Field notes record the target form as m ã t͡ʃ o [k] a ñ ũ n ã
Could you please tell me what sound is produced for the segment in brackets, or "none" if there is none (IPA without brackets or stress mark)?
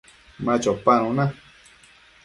p